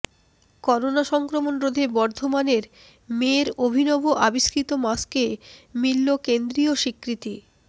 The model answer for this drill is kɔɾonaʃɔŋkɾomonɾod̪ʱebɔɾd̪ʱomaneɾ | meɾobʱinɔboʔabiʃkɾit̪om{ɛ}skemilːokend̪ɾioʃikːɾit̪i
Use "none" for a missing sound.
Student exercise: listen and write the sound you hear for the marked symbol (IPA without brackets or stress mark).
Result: a